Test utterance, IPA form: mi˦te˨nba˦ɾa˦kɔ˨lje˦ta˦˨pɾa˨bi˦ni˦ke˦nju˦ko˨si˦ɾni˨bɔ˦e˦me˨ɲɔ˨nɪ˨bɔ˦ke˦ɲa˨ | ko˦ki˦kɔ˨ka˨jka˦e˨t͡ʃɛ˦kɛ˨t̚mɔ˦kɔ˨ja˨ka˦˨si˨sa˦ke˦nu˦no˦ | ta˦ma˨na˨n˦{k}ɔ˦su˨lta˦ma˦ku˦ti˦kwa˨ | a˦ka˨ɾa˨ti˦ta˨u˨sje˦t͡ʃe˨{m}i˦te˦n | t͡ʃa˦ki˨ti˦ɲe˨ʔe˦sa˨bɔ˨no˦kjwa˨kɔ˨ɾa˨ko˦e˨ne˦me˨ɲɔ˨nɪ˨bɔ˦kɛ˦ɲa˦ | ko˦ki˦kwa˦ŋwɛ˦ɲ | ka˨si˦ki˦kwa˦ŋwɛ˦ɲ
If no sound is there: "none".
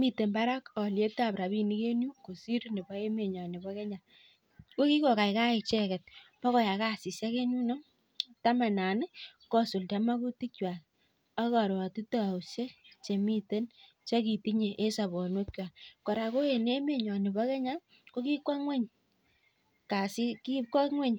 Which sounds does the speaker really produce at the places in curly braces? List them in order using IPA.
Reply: k, m

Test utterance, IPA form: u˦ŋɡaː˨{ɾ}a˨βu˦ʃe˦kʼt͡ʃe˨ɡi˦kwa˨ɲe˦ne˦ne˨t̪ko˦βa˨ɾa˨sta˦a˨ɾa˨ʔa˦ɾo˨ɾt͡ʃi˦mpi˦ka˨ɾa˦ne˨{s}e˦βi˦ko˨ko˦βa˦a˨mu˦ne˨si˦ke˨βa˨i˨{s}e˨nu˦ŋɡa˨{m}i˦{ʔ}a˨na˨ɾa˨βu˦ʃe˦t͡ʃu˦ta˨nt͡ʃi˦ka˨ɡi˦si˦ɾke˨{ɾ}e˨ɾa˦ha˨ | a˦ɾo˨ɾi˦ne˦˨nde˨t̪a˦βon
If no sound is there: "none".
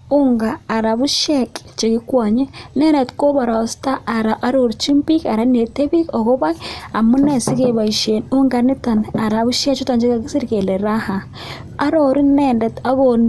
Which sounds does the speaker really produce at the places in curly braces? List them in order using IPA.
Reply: ɾ, t, ʃ, n, t, l

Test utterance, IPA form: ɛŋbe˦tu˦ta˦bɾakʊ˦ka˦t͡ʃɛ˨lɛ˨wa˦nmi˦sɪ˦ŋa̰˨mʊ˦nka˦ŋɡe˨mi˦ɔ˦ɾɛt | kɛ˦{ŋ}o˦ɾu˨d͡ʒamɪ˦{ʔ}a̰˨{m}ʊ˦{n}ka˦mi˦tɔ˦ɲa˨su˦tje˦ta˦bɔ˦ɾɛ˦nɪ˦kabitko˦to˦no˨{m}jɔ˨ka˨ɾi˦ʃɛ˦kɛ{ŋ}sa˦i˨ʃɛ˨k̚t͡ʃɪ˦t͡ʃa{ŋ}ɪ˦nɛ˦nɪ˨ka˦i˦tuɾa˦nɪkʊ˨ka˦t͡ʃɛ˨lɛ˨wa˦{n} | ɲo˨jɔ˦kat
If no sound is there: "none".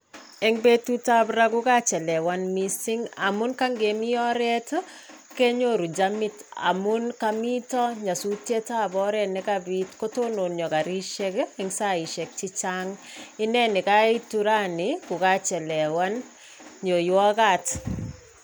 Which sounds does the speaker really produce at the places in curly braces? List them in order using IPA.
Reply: ɲ, t, m, n, n, ŋ, ŋ, n

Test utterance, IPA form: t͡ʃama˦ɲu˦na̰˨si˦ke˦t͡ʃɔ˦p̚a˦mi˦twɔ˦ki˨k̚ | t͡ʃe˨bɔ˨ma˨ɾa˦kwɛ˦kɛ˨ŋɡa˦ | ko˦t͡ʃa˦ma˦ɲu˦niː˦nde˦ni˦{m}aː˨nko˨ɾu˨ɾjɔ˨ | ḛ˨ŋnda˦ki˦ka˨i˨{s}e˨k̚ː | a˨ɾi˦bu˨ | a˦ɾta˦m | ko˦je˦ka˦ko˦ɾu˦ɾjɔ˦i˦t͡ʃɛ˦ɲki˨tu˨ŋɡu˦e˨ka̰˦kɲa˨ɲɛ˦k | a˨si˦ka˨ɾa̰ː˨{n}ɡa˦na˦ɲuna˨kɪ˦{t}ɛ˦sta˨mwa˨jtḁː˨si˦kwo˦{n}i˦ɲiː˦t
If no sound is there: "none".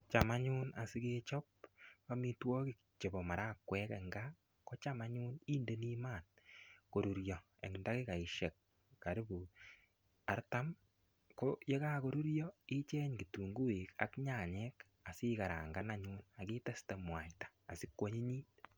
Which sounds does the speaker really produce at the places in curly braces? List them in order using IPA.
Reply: m, ʃ, ŋ, t, ɲ

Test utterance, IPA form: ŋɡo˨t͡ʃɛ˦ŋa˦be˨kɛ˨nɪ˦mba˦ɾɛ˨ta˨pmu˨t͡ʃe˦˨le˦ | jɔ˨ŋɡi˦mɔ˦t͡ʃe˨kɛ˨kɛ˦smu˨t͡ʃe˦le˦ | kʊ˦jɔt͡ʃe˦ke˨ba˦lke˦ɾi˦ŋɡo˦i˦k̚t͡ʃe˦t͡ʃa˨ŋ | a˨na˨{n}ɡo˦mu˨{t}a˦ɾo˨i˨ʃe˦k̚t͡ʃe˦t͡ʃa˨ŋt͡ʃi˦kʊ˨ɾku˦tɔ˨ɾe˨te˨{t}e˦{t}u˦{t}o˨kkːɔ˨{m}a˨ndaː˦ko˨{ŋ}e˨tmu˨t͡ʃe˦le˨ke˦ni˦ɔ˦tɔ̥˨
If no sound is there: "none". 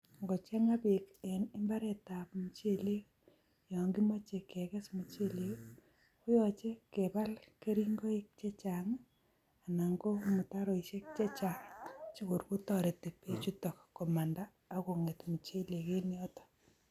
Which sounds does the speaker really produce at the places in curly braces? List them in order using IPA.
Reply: ŋ, t, p, t͡ʃ, t, m, ŋ

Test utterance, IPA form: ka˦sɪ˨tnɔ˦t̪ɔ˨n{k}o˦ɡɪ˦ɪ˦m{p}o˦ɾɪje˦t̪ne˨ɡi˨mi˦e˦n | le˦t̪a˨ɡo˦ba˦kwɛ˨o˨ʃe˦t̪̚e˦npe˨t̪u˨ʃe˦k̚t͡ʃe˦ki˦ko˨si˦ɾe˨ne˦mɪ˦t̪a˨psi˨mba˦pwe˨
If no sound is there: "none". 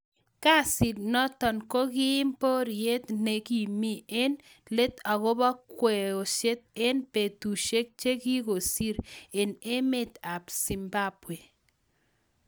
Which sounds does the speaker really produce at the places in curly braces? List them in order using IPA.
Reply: k, p

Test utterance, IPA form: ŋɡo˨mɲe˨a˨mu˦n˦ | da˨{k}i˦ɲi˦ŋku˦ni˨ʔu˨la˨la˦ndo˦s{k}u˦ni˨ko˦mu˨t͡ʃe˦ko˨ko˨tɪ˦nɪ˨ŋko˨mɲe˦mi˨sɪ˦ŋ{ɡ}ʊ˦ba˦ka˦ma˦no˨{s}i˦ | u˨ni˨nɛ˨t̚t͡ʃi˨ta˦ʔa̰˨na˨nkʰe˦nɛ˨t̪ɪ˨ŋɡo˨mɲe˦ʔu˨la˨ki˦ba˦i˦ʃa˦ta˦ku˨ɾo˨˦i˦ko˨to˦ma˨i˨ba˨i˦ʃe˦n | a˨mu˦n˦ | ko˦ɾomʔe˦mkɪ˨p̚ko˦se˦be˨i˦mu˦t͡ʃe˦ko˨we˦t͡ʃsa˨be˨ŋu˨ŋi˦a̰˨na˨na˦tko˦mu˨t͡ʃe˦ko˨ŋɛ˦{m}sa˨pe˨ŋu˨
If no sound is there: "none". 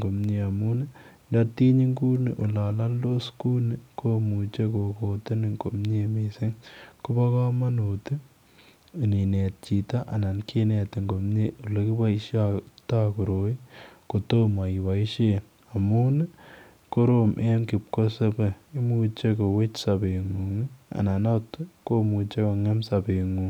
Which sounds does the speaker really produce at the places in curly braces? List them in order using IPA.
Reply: t, k, k, t, m

